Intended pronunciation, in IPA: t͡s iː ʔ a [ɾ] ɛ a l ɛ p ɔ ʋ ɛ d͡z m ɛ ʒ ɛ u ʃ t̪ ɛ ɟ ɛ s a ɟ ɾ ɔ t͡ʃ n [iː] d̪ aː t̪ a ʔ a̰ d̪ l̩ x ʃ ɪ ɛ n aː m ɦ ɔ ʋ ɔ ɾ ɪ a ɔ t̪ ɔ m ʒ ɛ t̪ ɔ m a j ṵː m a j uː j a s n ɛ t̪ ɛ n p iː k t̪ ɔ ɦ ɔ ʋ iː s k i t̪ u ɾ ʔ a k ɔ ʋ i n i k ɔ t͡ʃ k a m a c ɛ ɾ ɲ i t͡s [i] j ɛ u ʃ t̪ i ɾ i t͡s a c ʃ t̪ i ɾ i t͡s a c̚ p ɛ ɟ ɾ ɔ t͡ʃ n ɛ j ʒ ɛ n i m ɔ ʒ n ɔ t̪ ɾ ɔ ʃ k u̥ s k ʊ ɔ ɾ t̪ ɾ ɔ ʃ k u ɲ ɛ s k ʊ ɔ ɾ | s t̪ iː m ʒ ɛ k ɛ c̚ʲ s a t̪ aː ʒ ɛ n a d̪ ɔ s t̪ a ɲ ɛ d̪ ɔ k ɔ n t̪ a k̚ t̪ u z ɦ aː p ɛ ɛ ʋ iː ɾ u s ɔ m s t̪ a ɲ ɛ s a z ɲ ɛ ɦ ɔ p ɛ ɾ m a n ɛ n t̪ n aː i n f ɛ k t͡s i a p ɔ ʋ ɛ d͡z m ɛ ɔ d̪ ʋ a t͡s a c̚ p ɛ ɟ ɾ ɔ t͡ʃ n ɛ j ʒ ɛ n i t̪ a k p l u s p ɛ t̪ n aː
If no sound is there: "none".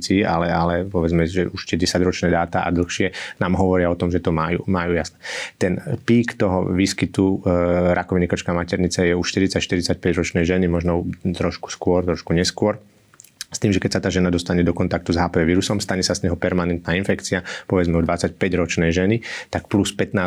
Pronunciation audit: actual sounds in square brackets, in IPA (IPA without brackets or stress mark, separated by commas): l, ɛː, ɛ